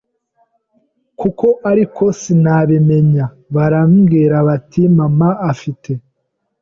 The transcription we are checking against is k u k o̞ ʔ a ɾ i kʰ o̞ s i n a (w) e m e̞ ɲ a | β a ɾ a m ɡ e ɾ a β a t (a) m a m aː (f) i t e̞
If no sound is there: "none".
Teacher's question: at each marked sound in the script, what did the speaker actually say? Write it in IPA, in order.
β, i, f

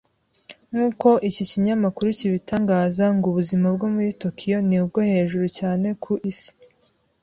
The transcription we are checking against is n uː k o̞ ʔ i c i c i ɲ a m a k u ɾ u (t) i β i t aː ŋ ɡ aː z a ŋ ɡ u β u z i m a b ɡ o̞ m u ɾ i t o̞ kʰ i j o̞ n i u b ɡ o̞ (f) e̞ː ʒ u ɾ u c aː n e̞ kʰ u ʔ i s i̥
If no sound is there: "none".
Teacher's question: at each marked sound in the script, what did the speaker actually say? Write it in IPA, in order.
c, h

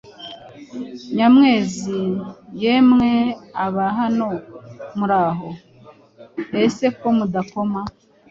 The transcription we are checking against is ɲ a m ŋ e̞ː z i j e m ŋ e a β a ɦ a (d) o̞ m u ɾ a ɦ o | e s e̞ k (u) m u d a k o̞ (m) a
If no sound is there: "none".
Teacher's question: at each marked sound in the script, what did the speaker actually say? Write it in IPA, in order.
n, o, m

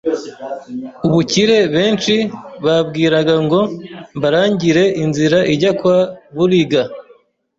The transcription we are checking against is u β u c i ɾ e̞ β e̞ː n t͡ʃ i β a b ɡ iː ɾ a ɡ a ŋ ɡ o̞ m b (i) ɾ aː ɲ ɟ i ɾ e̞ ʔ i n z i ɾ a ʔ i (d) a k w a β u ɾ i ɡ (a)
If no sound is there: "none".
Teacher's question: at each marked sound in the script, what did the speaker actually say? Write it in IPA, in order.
a, ɟ, a

